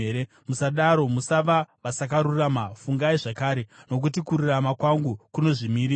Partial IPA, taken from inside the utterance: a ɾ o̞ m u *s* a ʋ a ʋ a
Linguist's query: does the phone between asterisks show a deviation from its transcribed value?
no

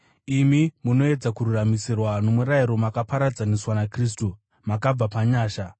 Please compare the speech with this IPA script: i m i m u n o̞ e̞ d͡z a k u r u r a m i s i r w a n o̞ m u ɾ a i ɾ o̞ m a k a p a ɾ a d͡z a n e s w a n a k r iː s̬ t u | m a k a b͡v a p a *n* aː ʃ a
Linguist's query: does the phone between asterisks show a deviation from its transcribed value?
yes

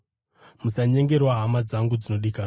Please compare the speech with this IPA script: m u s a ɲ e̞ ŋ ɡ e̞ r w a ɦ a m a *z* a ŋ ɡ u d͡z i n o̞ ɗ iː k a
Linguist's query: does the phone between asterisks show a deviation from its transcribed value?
yes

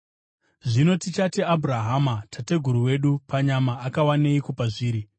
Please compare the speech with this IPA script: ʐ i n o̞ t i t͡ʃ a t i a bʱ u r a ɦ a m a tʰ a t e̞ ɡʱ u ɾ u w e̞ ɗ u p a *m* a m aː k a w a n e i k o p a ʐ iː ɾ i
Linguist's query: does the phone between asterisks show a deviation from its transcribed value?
yes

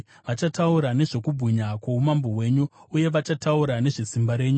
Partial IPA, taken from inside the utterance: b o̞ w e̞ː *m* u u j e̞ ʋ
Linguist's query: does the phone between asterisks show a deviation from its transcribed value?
yes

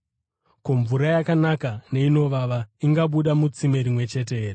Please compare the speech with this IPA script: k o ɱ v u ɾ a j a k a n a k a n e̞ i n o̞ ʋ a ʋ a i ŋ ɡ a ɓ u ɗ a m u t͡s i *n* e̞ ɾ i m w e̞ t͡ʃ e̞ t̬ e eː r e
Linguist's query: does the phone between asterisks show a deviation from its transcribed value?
yes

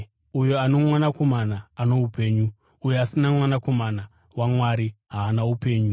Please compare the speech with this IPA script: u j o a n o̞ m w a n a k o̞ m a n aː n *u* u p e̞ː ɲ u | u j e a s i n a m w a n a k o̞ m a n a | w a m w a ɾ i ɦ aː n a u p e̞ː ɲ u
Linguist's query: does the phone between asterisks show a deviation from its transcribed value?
yes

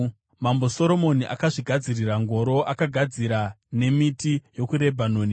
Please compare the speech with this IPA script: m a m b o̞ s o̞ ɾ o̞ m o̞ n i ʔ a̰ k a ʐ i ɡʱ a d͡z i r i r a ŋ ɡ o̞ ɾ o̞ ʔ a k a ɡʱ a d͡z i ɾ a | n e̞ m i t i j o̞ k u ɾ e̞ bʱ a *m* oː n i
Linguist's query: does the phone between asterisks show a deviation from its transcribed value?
yes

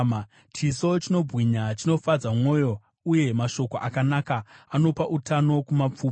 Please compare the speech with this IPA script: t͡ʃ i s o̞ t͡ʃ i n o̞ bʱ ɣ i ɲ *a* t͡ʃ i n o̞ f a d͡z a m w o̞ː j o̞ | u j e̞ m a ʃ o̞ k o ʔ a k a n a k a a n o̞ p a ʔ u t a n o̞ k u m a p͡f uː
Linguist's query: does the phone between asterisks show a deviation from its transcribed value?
no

